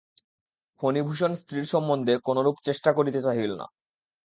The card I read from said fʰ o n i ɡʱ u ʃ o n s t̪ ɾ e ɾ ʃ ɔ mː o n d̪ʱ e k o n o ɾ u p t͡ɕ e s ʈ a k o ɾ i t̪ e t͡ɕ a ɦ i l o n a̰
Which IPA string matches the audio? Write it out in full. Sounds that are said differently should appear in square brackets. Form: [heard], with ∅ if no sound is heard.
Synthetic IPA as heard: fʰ o n i [bʱ] u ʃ o n s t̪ ɾ [i] ɾ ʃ ɔ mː o n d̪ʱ e k o n o ɾ u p t͡ɕ e [ʃ] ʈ a k o ɾ i t̪ e t͡ɕ a ɦ i l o n a̰